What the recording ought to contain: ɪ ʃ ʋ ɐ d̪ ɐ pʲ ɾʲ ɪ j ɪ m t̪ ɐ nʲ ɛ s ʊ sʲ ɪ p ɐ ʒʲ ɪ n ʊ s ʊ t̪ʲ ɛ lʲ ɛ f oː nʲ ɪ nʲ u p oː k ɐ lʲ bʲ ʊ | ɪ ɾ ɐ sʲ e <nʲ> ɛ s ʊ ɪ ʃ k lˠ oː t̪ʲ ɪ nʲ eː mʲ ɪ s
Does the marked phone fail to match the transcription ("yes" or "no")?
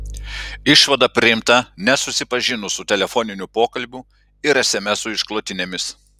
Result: yes